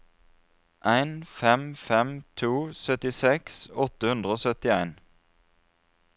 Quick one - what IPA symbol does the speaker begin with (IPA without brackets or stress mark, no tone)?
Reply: ʔ